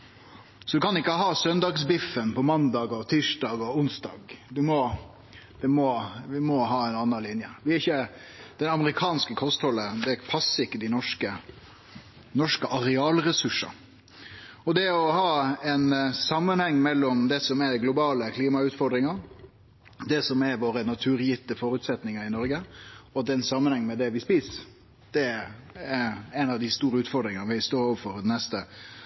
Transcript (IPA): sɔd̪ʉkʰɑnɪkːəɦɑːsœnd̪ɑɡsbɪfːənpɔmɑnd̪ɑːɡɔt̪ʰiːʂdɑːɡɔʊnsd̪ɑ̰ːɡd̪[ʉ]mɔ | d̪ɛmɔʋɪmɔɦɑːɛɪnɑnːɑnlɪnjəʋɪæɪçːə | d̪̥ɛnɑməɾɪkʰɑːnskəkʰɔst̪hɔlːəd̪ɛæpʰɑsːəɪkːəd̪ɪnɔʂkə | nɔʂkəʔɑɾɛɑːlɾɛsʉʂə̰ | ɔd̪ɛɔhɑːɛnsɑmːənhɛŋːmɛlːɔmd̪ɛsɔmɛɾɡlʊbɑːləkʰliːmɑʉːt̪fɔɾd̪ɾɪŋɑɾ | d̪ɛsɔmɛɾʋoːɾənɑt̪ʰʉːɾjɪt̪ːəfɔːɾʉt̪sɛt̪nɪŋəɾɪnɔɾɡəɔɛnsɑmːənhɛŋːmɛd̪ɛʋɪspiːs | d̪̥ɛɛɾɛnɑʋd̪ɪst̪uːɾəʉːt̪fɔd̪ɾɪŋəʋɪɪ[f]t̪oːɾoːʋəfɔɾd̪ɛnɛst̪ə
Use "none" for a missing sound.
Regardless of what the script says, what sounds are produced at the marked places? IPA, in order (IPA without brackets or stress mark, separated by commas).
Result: ʉ, s